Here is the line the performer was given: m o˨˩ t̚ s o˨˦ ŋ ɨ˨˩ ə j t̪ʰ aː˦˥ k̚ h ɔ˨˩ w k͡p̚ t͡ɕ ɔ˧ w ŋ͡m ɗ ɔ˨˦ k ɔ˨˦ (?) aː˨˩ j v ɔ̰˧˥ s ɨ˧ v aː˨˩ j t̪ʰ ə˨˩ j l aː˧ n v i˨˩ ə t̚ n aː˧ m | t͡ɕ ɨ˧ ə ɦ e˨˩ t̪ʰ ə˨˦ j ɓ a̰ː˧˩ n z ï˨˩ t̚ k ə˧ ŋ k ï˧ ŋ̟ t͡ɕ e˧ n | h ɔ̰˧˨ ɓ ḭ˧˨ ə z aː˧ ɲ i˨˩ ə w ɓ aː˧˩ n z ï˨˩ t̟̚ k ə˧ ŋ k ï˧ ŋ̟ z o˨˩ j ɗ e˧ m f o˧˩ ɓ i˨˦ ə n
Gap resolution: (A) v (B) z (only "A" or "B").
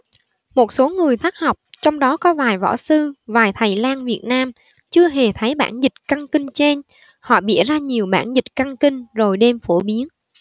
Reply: A